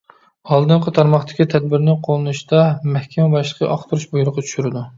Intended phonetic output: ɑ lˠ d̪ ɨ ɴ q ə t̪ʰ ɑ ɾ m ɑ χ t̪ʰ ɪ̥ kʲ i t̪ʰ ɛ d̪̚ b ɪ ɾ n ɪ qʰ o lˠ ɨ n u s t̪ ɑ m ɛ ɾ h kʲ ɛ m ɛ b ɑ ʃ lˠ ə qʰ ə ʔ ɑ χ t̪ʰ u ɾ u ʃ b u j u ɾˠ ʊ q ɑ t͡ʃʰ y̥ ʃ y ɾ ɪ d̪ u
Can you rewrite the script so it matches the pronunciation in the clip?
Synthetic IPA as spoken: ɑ lˠ d̪ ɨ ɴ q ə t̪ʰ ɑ ɾ m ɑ χ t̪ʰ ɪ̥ kʲ i t̪ʰ ɛ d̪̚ b ɪ ɾ n ɪ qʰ o lˠ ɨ n u ʃ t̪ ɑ m ɛ h kʲ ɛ m ɛ b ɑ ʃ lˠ ə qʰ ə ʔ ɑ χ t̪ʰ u ɾ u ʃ b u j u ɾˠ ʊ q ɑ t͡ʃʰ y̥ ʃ y ɾ ɪ d̪ u